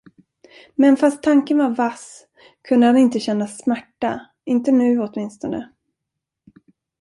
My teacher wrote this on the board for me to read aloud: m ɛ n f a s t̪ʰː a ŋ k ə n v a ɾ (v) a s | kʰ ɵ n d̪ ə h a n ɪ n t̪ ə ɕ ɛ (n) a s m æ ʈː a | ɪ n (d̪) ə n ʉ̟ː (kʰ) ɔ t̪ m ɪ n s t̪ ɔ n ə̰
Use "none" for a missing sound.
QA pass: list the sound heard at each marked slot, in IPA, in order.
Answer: v, nː, t̪, none

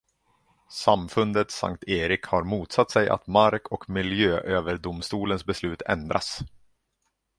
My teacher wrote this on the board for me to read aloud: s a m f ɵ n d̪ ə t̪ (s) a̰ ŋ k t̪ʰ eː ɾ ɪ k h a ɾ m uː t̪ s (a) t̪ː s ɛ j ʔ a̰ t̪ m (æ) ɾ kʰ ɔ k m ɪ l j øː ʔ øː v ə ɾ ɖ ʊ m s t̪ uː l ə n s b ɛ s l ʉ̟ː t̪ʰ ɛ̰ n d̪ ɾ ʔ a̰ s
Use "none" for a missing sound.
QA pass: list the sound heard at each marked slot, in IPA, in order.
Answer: s, a, a

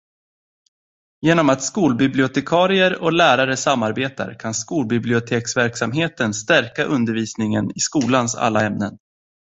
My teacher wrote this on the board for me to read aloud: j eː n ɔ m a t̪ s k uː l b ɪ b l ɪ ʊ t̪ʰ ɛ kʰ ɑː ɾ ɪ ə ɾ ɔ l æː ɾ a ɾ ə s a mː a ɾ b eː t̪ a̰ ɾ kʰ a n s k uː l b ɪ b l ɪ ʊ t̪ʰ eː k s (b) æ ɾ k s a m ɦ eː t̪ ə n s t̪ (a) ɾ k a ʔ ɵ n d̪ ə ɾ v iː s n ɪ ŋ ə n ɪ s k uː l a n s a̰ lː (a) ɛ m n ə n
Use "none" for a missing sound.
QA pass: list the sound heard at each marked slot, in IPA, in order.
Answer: v, æ, a

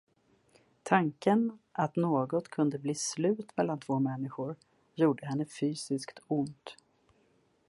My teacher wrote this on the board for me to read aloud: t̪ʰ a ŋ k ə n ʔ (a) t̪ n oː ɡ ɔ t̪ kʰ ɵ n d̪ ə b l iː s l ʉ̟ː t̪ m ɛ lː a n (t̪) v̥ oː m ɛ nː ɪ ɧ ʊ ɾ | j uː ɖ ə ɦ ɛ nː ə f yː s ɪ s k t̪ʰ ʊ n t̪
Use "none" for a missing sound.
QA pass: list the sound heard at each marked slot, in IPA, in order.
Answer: a, t̪ʰ

